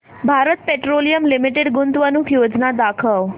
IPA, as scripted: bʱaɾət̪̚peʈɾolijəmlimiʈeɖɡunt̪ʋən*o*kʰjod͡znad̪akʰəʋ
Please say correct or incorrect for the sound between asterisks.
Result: incorrect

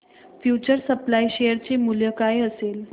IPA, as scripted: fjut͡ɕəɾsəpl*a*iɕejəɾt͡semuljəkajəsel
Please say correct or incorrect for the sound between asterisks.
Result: correct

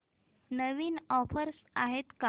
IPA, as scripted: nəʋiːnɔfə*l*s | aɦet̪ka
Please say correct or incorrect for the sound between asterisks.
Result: incorrect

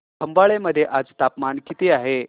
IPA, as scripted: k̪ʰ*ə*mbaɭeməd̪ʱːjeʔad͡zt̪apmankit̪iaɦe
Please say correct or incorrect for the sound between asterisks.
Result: correct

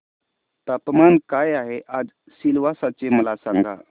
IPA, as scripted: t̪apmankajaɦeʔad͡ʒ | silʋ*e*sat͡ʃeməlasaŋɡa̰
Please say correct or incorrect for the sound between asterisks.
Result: incorrect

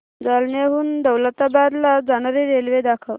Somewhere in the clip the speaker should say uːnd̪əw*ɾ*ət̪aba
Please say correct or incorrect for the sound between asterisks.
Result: incorrect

